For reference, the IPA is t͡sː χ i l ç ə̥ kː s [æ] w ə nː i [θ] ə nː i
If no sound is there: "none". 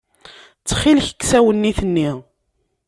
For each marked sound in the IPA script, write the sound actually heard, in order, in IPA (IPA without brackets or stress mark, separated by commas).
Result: æ, θ